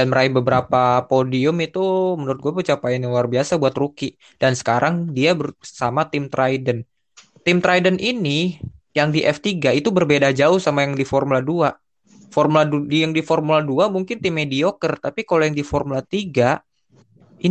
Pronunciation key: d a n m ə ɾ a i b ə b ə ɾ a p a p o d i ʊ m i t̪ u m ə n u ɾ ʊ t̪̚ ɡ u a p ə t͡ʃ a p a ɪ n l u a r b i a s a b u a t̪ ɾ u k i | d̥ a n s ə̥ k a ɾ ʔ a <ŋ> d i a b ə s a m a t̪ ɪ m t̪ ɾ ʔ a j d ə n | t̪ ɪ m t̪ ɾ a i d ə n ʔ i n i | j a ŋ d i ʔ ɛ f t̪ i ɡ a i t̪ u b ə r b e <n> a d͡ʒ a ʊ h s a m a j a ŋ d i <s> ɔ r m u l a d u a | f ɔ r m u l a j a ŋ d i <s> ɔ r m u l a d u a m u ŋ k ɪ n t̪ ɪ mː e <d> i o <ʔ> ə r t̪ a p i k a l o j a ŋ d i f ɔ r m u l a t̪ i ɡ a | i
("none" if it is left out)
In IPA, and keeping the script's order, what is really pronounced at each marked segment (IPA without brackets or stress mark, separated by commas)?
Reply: ŋ, d, f, f, d, k